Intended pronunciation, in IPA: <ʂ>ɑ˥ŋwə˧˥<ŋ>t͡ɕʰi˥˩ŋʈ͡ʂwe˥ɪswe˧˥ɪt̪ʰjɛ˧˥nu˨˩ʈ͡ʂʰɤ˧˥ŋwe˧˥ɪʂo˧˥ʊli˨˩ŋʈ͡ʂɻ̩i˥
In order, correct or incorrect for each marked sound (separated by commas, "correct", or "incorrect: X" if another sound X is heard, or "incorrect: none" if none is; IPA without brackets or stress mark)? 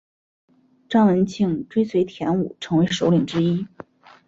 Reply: incorrect: ʈ͡ʂ, incorrect: n